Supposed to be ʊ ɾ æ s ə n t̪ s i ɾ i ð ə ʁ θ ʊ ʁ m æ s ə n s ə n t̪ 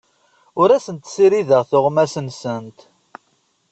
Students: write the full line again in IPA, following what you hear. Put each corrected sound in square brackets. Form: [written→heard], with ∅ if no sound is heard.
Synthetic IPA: ʊ ɾ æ s ə n t̪ s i ɾ i ð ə ʁ θ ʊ ʁ m æ s ə n s ə n t̪